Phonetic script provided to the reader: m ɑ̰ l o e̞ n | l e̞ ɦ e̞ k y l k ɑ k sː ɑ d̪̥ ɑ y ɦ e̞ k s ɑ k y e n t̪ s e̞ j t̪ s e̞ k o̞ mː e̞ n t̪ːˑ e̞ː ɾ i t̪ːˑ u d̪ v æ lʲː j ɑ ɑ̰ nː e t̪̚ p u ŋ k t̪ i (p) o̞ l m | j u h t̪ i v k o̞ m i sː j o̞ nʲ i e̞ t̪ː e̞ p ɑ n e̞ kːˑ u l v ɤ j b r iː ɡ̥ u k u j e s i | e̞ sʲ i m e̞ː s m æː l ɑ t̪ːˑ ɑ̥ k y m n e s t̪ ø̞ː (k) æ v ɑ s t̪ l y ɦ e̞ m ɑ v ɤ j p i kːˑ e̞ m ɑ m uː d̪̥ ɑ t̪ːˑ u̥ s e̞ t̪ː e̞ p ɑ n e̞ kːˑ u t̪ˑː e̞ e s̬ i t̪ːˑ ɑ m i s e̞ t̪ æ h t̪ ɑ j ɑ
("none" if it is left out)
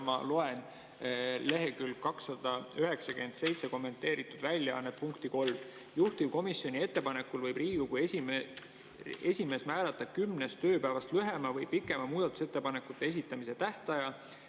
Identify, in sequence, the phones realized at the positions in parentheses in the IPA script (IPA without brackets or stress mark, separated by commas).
k, p